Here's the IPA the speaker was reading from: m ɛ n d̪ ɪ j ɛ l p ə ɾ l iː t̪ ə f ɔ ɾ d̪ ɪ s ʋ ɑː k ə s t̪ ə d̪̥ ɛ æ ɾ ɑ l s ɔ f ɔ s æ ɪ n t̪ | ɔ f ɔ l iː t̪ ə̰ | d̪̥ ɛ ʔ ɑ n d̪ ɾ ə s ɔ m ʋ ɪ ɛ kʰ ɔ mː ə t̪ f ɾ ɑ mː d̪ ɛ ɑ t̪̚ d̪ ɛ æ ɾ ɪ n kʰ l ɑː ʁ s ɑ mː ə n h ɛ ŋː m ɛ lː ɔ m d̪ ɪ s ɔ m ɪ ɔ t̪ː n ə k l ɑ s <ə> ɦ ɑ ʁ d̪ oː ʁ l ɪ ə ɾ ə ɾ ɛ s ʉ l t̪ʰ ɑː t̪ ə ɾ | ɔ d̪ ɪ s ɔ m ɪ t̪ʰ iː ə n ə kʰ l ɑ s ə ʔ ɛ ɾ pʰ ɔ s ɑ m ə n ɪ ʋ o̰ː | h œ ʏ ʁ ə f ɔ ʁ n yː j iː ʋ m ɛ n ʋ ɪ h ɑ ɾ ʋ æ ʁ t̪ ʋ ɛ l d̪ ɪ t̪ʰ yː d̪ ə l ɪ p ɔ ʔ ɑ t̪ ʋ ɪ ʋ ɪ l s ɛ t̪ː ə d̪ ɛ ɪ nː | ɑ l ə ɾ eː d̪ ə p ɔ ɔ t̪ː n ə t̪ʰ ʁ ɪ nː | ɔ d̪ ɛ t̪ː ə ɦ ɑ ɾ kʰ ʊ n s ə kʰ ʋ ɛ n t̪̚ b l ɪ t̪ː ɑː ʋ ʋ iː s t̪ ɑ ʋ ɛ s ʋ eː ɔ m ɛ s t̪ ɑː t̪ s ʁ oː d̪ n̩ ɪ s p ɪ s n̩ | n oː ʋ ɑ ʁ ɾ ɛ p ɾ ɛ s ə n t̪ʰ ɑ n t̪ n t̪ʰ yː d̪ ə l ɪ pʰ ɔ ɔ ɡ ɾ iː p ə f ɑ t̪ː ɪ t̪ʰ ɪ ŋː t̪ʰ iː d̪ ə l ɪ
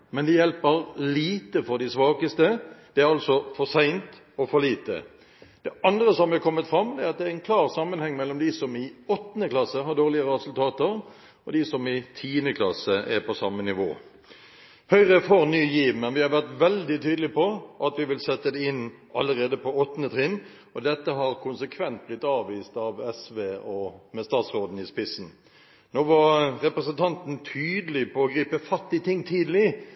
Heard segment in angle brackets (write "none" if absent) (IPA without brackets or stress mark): ə